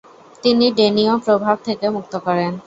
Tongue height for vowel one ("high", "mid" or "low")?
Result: high